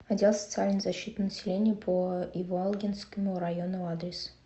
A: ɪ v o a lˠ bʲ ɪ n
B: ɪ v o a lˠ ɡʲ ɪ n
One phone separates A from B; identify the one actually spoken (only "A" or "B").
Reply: B